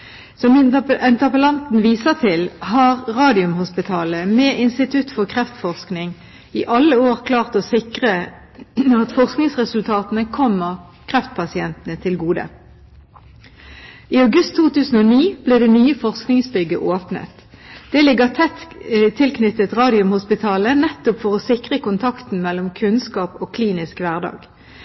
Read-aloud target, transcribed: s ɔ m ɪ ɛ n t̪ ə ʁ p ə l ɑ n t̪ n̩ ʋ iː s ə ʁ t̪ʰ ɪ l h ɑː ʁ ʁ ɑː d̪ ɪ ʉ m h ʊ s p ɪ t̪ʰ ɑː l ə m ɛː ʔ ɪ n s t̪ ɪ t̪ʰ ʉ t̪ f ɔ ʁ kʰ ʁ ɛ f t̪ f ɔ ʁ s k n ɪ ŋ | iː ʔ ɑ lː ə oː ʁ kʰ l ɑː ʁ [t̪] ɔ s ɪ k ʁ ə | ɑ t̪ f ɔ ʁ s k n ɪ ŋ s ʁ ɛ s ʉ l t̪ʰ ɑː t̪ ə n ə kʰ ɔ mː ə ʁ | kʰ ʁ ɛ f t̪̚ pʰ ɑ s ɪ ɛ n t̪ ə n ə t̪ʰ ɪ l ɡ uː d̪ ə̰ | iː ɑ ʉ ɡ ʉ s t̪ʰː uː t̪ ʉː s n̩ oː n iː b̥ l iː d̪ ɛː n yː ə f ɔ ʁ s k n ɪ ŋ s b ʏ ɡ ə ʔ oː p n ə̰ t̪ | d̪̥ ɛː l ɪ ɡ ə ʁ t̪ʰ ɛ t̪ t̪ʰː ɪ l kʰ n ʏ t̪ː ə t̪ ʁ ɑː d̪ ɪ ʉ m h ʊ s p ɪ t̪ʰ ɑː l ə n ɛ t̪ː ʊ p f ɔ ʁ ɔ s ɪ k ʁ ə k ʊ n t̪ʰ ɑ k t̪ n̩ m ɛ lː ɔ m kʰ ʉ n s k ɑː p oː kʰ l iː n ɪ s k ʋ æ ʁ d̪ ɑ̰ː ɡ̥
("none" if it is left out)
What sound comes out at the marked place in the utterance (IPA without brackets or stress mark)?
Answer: t̪